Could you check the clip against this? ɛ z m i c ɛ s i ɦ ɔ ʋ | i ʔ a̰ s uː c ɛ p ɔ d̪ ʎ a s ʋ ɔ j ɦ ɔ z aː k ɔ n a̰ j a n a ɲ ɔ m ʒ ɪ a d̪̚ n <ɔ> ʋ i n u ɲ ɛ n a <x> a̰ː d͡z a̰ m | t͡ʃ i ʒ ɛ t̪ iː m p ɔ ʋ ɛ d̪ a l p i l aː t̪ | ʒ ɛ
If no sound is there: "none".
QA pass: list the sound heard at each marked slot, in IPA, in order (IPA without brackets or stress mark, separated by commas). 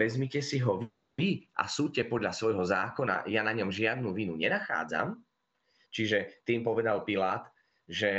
u, x